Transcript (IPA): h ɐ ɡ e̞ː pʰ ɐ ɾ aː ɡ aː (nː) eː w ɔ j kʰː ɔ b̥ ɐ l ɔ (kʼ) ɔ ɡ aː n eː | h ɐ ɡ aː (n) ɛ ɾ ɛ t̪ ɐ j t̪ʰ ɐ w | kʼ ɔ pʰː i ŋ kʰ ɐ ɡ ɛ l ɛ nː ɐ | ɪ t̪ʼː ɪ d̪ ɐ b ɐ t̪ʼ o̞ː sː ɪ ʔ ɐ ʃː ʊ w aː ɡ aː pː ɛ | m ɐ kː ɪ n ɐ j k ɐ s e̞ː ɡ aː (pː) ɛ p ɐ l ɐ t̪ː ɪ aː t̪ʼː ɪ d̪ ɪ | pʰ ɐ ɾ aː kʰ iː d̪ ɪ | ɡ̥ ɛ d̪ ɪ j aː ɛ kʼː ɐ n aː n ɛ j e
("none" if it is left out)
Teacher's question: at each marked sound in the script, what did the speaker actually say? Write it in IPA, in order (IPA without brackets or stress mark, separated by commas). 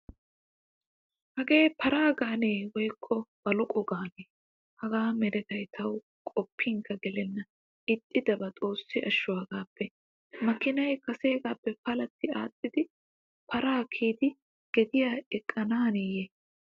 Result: n, kʼ, m, pː